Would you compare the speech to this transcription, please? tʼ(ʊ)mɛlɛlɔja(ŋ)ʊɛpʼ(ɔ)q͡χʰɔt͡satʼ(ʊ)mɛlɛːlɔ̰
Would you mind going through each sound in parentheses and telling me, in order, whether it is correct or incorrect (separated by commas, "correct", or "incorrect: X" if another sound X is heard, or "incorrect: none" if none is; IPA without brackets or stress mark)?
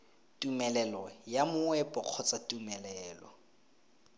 incorrect: u, incorrect: m, correct, incorrect: u